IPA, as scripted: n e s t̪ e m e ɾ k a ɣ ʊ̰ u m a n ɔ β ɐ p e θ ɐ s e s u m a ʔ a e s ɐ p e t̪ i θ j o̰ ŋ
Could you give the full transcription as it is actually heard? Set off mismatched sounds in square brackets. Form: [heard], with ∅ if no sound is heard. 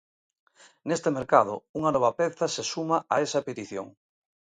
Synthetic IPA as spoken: n e s t̪ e m e ɾ k a [ð] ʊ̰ u [ŋ] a n ɔ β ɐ p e θ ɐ s e s u m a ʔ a e s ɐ p e t̪ i θ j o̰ ŋ